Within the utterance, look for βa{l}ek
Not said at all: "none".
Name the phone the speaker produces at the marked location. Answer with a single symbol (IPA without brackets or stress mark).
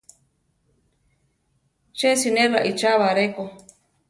ɾ